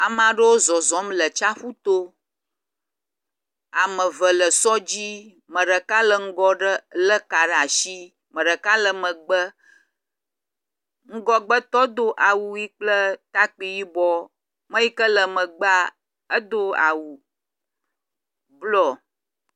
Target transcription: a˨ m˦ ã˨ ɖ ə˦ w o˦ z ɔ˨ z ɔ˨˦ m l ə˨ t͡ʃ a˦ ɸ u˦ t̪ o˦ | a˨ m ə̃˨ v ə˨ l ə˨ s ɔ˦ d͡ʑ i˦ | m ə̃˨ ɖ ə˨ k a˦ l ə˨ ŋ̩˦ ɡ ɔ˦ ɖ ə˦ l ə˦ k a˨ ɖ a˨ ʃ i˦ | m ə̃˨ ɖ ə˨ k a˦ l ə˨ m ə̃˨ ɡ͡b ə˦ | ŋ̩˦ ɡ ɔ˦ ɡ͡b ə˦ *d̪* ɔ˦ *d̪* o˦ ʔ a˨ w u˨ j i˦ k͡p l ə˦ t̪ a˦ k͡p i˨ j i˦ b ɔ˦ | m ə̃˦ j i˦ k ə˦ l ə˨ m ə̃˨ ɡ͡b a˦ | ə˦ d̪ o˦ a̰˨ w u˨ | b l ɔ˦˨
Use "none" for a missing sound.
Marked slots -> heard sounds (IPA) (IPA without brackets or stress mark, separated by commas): t̪, d̪